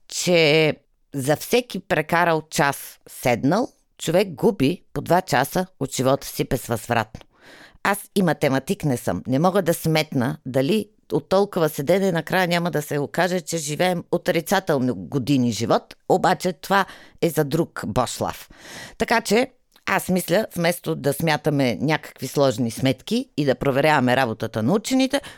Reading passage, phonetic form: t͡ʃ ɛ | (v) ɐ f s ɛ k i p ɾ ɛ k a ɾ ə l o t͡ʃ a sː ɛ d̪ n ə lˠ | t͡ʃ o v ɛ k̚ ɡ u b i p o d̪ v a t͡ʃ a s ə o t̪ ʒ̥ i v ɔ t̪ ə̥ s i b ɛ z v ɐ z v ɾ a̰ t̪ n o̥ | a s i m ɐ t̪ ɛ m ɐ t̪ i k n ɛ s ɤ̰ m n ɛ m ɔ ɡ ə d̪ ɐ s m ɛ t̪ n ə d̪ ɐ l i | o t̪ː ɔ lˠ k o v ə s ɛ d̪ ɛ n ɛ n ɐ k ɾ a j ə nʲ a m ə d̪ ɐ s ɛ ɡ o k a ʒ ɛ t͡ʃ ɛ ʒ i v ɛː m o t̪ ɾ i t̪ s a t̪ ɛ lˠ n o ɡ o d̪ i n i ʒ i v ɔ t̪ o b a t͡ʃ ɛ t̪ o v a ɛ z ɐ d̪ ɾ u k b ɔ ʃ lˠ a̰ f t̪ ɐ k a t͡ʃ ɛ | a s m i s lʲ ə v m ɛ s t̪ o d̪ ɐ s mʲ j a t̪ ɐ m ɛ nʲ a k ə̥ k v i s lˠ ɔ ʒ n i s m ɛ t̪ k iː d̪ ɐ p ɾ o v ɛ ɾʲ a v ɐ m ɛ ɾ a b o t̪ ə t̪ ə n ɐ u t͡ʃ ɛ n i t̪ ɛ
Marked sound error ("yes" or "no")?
yes